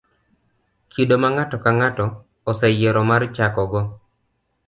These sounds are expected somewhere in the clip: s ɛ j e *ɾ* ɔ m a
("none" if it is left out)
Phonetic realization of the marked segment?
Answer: ɾ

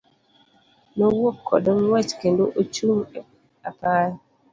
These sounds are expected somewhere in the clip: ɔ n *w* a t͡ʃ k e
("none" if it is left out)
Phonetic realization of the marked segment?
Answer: w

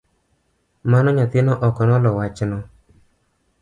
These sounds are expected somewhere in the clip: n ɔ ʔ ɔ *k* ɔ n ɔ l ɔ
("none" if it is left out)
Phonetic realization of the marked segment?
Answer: k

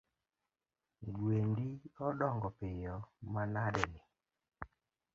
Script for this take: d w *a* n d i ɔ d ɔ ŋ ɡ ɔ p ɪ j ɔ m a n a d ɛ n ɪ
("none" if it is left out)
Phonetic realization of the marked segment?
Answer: e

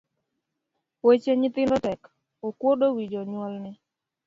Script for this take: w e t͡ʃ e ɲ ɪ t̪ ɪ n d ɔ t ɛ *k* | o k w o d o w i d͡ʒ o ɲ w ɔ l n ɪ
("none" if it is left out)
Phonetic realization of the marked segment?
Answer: k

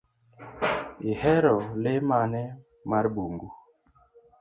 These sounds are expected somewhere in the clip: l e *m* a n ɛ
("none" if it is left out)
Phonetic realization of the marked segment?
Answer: m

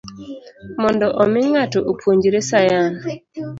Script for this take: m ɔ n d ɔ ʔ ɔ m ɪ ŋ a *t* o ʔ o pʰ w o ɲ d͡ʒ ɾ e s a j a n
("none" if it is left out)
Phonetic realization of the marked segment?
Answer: t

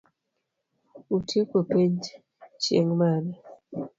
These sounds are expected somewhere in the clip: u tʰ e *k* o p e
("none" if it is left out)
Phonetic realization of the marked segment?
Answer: k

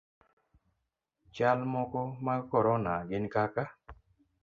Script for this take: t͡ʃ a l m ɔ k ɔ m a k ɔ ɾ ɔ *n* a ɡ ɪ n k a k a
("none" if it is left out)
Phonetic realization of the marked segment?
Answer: n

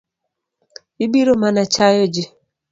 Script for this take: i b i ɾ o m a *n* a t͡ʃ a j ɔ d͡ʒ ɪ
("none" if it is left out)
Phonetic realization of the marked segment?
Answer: n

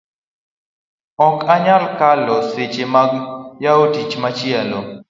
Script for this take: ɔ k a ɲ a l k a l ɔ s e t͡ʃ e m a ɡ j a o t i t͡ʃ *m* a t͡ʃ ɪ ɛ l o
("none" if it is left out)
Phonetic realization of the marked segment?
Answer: m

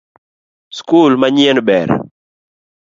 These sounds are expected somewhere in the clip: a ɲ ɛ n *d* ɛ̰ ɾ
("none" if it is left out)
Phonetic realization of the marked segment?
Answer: b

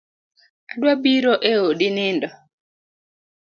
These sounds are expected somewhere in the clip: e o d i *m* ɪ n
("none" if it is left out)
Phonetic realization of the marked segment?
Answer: n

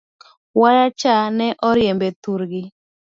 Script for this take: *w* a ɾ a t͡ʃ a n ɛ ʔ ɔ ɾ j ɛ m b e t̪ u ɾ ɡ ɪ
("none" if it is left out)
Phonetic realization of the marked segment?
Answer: w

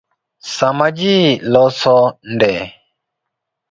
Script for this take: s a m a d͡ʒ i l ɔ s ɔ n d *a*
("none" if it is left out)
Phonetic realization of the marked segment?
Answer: ɛ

